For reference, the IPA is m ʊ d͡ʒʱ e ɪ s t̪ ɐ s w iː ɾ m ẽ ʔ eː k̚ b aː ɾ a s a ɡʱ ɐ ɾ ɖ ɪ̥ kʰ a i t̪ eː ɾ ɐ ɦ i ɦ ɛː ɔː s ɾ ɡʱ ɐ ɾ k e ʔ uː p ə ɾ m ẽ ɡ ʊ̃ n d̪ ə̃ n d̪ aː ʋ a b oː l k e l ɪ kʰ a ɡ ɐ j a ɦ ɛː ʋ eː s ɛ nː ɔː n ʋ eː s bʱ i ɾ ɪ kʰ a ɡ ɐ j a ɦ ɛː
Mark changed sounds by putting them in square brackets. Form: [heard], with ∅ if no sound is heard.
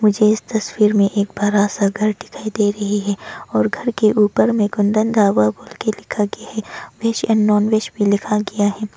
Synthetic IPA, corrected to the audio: m ʊ d͡ʒʱ e ɪ s t̪ ɐ s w iː ɾ m ẽ ʔ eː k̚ b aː ɾ a s a ɡʱ ɐ ɾ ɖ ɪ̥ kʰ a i [d̪] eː ɾ ɐ ɦ i ɦ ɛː ɔː [∅] ɾ ɡʱ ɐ ɾ k e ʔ uː p ə ɾ m ẽ ɡ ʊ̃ n d̪ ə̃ n d̪ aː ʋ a b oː l k e l ɪ kʰ a ɡ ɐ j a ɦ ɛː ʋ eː [ʃ] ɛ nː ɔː n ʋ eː [ʃ] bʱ i [l] ɪ kʰ a ɡ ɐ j a ɦ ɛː